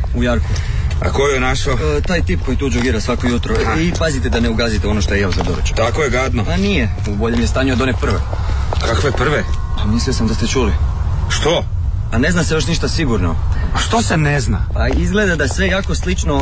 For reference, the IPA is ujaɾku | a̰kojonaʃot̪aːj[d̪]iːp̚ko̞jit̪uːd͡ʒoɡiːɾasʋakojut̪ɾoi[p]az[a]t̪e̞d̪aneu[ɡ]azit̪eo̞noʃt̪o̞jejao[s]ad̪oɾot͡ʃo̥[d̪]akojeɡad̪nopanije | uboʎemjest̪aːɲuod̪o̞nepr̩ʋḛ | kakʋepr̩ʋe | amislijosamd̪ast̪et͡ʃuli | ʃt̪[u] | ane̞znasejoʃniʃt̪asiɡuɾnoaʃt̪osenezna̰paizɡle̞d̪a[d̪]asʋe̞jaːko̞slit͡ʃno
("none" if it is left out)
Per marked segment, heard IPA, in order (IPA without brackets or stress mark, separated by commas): t̪, p, i, ɡ, z, t̪, o, d̪